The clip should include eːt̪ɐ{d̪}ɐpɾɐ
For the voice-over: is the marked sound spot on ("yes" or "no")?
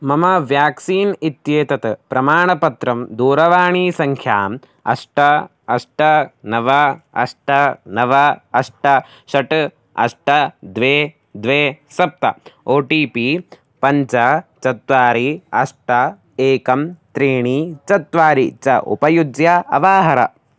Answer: no